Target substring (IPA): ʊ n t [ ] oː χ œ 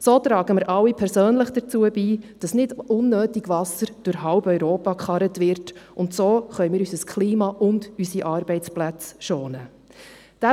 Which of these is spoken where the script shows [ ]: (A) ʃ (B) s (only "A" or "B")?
B